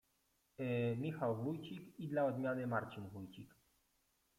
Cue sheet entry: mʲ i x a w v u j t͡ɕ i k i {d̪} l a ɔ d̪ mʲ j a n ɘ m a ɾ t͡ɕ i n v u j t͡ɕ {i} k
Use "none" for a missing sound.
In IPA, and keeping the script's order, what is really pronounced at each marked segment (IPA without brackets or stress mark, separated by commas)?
d̪, i